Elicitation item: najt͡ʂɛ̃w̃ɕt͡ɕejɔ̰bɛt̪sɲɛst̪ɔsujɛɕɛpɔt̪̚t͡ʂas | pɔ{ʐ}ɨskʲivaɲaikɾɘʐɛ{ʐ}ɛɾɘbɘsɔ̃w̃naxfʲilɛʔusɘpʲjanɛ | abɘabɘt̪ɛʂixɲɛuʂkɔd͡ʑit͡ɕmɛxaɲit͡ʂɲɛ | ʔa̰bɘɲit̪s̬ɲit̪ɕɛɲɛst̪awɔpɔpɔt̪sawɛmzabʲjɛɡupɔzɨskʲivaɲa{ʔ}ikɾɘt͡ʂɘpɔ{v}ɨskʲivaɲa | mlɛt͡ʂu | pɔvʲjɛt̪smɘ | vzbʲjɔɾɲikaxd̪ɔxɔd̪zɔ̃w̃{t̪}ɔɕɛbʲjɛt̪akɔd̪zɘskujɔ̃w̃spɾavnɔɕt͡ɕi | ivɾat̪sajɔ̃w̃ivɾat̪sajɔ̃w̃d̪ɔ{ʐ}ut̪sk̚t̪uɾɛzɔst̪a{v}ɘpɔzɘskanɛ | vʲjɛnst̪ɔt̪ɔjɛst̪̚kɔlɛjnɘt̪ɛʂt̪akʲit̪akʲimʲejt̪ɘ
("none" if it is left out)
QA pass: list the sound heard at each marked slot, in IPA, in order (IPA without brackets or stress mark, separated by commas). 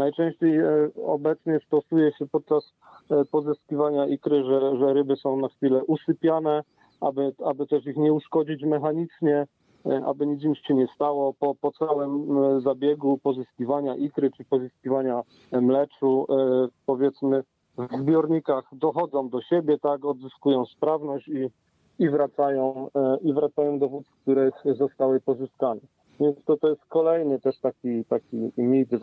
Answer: z, ʐ, ʔ, z, d̪, v, w